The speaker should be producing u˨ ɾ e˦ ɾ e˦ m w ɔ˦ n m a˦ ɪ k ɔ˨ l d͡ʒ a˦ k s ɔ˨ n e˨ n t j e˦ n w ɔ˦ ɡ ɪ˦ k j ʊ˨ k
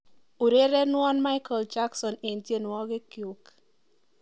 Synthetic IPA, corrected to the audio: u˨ ɾ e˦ ɾ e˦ n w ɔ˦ n m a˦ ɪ k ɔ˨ l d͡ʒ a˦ k s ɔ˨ n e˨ n t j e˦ n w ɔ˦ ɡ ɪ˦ k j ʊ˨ k